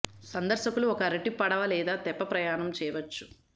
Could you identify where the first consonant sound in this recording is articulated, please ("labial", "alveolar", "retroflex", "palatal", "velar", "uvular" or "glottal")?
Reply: alveolar